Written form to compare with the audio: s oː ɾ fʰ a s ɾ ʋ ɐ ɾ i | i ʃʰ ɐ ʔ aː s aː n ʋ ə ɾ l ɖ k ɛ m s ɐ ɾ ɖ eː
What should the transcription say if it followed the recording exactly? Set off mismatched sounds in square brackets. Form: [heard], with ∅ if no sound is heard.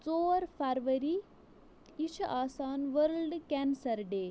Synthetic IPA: [t͡s] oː ɾ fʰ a [∅] ɾ ʋ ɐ ɾ i | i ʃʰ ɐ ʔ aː s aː n ʋ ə ɾ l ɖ k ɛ [n] s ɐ ɾ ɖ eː